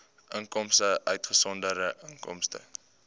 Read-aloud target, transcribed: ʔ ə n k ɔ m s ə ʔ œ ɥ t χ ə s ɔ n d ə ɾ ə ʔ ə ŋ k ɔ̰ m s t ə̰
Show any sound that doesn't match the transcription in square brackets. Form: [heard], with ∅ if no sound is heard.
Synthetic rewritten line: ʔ ə [ŋ] k ɔ m s ə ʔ œ ɥ t χ ə s ɔ n d ə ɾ ə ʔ ə ŋ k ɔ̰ m s t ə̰